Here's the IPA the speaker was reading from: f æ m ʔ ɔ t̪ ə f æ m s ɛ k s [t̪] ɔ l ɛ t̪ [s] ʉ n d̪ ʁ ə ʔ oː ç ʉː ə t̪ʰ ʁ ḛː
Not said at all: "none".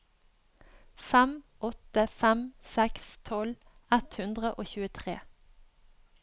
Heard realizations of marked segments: t̪ʰ, h

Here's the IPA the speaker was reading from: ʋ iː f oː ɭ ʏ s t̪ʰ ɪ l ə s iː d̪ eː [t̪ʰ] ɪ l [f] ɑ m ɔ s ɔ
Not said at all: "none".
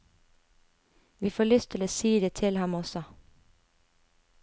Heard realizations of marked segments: t̪ʰ, h

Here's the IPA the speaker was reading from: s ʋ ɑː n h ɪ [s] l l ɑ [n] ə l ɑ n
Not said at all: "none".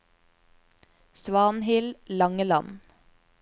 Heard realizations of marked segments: none, ŋ

